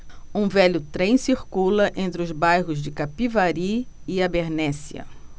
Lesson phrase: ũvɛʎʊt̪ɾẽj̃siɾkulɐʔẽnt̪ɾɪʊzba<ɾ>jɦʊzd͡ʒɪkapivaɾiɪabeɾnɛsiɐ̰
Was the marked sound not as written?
yes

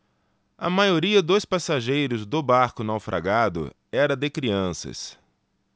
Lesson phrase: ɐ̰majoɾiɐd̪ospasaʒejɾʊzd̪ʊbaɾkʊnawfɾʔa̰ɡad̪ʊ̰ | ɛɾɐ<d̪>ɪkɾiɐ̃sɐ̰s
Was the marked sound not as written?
no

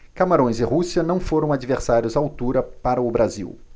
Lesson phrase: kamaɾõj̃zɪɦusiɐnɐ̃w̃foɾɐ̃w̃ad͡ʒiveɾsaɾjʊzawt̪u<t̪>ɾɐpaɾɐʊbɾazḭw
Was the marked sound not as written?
yes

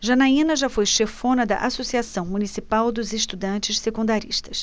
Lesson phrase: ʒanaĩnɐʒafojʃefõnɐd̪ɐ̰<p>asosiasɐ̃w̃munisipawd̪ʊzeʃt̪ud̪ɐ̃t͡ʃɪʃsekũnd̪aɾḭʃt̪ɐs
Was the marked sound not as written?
yes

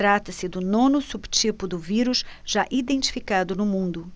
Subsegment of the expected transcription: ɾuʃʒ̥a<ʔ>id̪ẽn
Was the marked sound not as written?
no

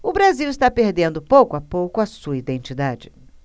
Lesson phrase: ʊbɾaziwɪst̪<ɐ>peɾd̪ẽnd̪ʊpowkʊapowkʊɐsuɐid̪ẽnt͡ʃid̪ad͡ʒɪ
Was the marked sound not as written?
yes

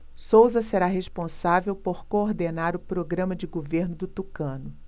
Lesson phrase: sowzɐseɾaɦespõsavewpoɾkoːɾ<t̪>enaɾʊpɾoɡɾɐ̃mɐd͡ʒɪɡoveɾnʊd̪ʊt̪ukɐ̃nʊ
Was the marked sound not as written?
yes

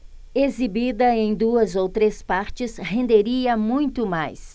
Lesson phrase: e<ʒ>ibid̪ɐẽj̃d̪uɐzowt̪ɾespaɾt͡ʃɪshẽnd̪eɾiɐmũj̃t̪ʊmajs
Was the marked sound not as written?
yes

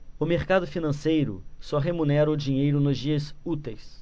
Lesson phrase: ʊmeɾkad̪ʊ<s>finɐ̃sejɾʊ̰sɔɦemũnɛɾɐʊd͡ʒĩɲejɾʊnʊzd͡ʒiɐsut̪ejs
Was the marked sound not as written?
yes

